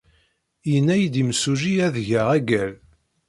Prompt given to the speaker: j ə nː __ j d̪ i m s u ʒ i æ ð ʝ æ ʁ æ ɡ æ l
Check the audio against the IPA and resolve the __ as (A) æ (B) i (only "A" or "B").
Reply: A